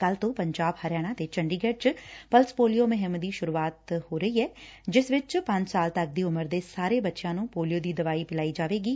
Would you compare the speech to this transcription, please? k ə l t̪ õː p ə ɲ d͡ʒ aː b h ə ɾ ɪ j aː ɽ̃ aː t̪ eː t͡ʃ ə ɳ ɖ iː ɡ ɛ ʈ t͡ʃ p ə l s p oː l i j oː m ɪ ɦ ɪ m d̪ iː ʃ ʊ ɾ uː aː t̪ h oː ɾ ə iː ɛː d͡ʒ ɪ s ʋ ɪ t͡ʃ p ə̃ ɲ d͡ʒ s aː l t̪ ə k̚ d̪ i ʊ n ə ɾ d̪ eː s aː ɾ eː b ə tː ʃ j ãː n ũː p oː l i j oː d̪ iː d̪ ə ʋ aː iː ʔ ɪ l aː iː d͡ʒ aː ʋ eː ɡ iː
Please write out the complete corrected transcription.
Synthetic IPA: k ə l t̪ õː p ə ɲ d͡ʒ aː b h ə ɾ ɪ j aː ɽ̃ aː t̪ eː t͡ʃ ə ɳ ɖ iː ɡ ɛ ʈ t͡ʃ p ə l s p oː l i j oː m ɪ ɦ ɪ m d̪ iː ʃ ʊ ɾ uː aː t̪ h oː ɾ ə iː ɛː d͡ʒ ɪ s ʋ ɪ t͡ʃ p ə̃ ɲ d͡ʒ s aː l t̪ ə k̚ d̪ iː ʊ m ə ɾ d̪ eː s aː ɾ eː b ə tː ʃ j ãː n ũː p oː l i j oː d̪ iː d̪ ə ʋ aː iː p ɪ l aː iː d͡ʒ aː ʋ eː ɡ iː